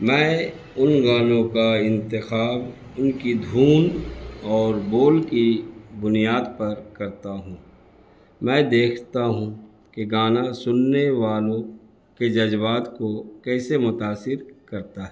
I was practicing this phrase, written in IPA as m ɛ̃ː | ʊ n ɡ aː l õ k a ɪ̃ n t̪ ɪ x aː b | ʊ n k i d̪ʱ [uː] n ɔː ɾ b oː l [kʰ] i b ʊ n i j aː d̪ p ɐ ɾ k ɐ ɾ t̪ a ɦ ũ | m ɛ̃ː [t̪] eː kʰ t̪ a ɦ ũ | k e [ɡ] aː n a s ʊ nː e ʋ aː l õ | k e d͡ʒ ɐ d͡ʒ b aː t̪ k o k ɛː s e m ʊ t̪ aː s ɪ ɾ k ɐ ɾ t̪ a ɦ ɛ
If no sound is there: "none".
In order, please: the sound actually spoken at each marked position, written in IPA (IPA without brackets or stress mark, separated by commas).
uː, k, d̪, ɡ